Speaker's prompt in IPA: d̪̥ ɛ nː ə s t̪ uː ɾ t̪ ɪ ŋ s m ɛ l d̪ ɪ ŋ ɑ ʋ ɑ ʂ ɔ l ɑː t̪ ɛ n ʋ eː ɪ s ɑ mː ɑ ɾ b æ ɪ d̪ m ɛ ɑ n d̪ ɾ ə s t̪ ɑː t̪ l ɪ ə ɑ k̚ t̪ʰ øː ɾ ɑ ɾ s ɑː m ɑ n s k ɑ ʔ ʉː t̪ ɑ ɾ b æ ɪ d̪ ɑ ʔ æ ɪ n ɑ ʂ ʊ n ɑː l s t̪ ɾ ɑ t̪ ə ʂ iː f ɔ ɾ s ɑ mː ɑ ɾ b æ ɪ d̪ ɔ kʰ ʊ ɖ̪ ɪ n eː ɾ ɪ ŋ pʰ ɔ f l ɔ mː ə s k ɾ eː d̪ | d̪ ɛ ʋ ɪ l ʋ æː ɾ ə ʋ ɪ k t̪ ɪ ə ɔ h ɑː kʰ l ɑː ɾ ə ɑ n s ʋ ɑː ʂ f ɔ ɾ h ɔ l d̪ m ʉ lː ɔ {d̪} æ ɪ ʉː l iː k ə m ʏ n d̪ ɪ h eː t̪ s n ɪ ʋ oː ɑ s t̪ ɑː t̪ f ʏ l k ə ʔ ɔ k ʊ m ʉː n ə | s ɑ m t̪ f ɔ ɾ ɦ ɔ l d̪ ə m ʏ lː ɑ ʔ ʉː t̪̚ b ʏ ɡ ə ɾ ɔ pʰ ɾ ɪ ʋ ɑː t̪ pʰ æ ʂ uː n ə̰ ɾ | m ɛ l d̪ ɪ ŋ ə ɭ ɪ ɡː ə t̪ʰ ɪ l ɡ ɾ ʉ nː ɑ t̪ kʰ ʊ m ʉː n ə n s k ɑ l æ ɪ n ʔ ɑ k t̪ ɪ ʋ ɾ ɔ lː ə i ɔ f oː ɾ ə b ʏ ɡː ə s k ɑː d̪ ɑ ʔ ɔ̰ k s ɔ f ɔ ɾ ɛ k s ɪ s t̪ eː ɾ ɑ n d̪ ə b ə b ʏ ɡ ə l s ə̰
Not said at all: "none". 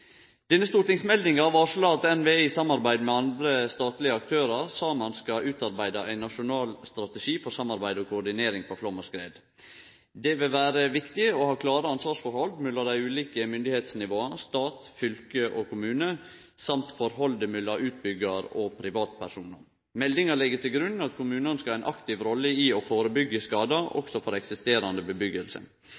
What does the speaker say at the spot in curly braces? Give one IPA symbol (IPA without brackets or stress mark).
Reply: d̪